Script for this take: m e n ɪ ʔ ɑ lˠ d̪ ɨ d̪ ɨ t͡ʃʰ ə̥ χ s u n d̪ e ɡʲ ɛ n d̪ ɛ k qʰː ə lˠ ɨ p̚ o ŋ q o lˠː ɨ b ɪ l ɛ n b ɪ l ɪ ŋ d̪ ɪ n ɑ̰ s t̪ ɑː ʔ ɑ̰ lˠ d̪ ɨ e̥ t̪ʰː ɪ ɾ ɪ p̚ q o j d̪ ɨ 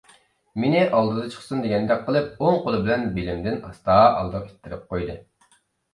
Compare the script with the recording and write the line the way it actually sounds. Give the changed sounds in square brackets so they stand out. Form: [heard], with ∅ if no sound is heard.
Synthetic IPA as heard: m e n ɪ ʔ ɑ lˠ d̪ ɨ d̪ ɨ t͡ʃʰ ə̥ χ s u n d̪ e ɡʲ ɛ n d̪ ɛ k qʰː ə lˠ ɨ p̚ o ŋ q o [lˠ] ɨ b ɪ l ɛ n b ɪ l ɪ [m] d̪ ɪ n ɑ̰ s t̪ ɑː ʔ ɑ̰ lˠ d̪ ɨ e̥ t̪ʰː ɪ ɾ ɪ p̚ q o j d̪ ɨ